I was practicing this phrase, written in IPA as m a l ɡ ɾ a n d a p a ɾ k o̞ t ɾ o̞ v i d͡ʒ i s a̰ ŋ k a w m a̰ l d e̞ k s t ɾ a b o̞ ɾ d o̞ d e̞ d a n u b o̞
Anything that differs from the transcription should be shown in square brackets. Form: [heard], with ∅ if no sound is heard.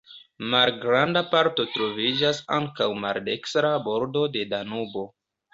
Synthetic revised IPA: m a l ɡ ɾ a n d a p a ɾ [t] o̞ t ɾ o̞ v i d͡ʒ [a] s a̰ ŋ k a w m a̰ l d e̞ k s t ɾ a b o̞ ɾ d o̞ d e̞ d a n u b o̞